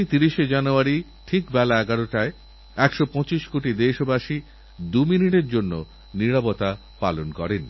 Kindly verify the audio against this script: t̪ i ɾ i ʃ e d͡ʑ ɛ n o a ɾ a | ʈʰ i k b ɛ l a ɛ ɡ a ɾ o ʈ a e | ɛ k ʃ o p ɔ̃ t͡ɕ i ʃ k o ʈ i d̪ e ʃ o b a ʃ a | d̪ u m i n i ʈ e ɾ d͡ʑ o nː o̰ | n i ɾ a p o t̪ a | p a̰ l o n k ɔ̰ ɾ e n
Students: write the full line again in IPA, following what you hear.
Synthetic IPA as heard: t̪ i ɾ i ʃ e d͡ʑ a n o a ɾ i | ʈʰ i k b ɛ l a ɛ ɡ a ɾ o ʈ a e | ɛ k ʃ o p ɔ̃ t͡ɕ i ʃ k o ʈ i d̪ e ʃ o b a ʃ i | d̪ u m i n i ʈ e ɾ d͡ʑ o nː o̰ | n i ɾ a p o t̪ a | p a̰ l o n k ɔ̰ ɾ e n